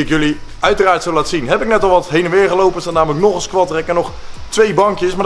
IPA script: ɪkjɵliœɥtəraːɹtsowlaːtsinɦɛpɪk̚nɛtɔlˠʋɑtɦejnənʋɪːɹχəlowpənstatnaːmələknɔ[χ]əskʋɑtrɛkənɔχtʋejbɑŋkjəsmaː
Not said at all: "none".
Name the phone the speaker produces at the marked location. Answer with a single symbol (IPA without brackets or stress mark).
χ